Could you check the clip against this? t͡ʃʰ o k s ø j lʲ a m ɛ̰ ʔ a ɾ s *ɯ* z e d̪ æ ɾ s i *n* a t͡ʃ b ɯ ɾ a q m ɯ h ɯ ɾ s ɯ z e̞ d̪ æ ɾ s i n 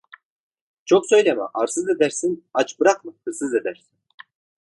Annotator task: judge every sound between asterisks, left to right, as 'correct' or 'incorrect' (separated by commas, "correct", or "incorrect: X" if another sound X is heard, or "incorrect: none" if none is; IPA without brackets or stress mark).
correct, correct